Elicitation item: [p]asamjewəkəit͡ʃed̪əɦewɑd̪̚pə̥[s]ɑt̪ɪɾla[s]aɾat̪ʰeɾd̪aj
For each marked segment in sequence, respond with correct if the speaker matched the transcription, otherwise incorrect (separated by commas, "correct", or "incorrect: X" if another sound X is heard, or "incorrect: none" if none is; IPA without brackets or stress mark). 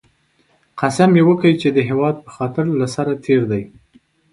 incorrect: q, incorrect: x, correct